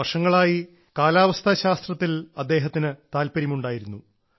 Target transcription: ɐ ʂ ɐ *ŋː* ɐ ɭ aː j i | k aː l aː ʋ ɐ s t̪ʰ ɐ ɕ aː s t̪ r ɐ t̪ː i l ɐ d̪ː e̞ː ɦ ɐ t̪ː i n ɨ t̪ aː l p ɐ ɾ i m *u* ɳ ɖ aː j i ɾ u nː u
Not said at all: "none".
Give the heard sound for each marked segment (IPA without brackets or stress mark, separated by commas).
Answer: ŋː, u